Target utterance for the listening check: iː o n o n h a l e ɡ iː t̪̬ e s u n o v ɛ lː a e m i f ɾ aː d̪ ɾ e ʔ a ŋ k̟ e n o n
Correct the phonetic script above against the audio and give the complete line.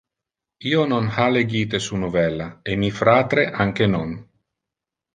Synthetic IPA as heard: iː o n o n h a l e ɡ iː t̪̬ e s u n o v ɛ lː a e m i f ɾ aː t̪ ɾ e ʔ a ŋ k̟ e n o n